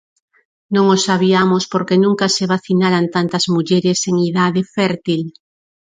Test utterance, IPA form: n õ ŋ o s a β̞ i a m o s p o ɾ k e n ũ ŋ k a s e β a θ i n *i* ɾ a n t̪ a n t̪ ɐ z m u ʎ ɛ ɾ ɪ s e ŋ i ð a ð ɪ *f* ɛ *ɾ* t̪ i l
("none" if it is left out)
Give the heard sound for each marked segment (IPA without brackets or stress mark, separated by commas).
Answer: a, f, ɾ